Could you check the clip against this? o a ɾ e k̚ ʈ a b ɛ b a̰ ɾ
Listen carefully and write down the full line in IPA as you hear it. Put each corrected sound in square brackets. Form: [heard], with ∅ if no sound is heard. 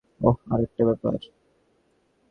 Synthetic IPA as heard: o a ɾ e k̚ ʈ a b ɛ [p] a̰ ɾ

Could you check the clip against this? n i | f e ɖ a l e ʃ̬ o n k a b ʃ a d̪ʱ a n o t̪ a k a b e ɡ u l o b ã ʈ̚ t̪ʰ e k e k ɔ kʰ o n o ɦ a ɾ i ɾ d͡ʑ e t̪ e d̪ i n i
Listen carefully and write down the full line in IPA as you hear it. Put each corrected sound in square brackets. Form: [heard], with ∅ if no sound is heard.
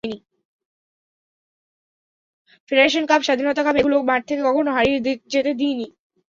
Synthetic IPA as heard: n i | f e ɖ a [ɾ] e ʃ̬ o n k a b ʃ a d̪ʱ [i] n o t̪ a k a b e ɡ u l o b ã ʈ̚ t̪ʰ e k e k ɔ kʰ o n o ɦ a ɾ i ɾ d͡ʑ e t̪ e d̪ i n i

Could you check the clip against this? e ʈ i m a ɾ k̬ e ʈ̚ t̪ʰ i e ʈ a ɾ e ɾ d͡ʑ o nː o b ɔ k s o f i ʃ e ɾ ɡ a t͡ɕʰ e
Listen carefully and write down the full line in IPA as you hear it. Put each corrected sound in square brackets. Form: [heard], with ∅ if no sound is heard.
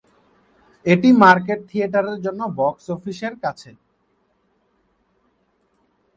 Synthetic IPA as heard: e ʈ i m a ɾ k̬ e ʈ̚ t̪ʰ i e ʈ a ɾ e ɾ d͡ʑ o nː o b ɔ k s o f i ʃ e ɾ [k] a t͡ɕʰ e

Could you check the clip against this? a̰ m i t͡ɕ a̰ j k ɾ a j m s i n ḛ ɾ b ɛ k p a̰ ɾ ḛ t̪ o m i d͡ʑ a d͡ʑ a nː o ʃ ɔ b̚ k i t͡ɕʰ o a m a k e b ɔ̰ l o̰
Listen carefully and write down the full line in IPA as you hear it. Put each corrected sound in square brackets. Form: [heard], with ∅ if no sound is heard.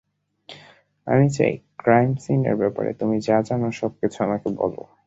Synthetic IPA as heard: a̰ m i t͡ɕ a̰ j k ɾ a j m s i n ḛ ɾ b ɛ [∅] p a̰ ɾ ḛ t̪ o m i d͡ʑ a d͡ʑ a [n] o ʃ ɔ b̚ k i t͡ɕʰ o a m a k e b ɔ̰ l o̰

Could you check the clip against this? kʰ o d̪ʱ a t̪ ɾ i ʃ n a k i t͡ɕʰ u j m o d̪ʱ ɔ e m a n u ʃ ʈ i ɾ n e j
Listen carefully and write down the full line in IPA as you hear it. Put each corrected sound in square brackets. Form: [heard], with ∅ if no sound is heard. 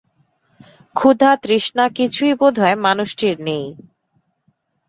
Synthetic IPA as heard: kʰ [u] d̪ʱ a t̪ ɾ i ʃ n a k i t͡ɕʰ u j [b] o d̪ʱ ɔ e m a n u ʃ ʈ i ɾ n e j

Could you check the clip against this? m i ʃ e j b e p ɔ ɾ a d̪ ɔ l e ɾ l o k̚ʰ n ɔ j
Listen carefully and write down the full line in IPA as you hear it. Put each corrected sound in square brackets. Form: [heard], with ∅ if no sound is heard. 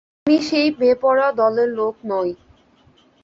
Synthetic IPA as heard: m i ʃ e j b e p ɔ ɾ a d̪ ɔ l e ɾ l o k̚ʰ n ɔ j

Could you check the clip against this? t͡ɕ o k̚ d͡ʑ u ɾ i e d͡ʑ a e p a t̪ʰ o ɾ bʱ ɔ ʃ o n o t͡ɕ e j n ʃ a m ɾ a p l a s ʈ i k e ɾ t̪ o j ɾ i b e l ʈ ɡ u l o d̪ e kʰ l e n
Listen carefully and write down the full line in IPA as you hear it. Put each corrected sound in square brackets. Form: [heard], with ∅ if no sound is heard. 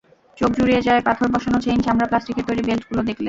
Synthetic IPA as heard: t͡ɕ o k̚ d͡ʑ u ɾ i e d͡ʑ a e p a t̪ʰ o ɾ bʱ ɔ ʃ o n o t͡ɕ e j n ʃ a m ɾ a p l a s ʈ i k e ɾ t̪ o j ɾ i b e l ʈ ɡ u l o d̪ e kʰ l e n

